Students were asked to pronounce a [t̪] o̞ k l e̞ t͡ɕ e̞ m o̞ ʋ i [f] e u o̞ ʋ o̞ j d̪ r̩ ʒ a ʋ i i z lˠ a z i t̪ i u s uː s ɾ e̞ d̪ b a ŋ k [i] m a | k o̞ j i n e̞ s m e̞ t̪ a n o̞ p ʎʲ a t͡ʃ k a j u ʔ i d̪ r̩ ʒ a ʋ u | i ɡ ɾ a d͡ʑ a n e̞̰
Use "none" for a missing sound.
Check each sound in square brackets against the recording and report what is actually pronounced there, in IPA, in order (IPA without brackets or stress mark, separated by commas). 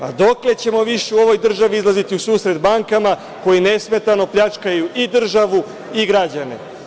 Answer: d̪, ʃ, a